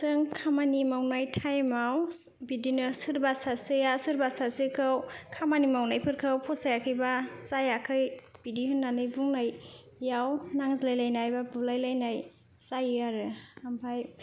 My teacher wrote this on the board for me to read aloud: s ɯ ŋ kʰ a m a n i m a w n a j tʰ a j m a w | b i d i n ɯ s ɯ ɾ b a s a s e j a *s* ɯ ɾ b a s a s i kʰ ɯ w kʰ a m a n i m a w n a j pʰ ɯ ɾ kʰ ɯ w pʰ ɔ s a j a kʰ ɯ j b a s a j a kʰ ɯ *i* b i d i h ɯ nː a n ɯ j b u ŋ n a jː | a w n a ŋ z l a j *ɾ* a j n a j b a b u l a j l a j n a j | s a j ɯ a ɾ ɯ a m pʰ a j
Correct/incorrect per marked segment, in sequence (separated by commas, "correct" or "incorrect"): correct, incorrect, incorrect